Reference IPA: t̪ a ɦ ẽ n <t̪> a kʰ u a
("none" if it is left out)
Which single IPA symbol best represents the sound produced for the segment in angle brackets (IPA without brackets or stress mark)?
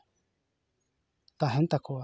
t̪